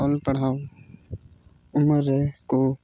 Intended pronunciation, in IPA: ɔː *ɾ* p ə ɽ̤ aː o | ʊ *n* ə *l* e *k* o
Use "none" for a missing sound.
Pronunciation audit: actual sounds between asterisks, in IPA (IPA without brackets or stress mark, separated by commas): l, m, ɾ, k